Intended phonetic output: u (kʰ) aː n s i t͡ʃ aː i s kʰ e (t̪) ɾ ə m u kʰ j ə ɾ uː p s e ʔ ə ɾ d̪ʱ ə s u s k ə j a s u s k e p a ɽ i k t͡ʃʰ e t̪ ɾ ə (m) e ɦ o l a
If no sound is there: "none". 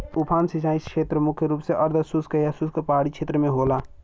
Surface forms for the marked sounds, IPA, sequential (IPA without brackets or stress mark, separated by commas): pʰ, t̪, m